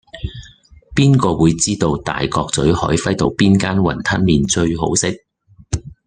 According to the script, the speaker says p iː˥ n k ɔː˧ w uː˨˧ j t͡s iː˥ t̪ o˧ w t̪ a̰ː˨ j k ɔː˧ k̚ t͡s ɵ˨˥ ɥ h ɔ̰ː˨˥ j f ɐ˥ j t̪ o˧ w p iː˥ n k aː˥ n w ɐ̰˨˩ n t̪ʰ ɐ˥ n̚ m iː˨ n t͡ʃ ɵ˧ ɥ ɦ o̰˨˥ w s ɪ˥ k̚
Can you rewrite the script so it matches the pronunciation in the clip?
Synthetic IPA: p iː˥ n k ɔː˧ w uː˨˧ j t͡s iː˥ t̪ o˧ w t̪ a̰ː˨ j k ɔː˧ k̚ t͡s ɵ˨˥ ɥ h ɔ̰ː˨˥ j f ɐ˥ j t̪ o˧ w p iː˥ n k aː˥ n w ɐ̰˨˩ n t̪ʰ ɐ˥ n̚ m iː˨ n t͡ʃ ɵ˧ ɥ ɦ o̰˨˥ w s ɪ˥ k̚